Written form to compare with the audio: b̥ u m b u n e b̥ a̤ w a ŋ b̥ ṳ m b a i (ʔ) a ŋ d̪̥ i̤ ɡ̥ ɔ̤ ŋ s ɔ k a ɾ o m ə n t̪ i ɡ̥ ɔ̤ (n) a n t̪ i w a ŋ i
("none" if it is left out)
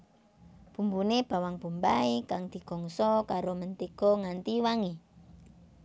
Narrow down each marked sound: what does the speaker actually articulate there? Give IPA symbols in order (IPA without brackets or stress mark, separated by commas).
k, ŋ